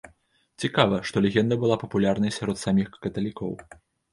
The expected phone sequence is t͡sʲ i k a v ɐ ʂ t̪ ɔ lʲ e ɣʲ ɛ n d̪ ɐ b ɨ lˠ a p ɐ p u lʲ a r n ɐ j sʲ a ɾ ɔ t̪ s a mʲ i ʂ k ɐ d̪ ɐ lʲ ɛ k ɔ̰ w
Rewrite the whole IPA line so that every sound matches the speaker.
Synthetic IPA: t͡sʲ i k a v ɐ ʂ t̪ ɔ lʲ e ɣʲ ɛ n d̪ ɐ b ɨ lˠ a p ɐ p u lʲ a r n ɐ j sʲ a ɾ ɔ t̪ s a mʲ i x k ɐ t̪ ɐ lʲ i k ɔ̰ w